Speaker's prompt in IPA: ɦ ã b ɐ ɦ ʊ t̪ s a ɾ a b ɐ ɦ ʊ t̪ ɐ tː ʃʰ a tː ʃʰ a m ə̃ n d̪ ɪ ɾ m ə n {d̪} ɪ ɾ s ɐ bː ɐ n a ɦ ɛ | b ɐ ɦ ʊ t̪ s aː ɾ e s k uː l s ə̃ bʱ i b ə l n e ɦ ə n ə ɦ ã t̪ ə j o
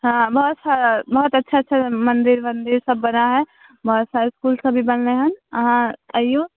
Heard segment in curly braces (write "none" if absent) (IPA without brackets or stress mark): d̪